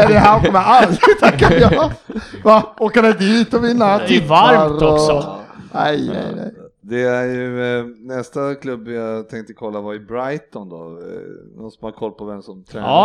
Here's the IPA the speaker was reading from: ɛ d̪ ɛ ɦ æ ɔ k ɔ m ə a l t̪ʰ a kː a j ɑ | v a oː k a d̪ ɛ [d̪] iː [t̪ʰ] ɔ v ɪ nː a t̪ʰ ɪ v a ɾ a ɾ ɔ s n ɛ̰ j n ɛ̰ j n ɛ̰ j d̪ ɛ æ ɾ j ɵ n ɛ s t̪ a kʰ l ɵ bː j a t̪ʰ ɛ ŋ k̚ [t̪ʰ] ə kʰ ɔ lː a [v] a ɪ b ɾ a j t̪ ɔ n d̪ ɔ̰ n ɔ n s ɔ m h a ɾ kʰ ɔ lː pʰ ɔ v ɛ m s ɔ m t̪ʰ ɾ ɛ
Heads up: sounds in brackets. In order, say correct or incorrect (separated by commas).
correct, incorrect, incorrect, correct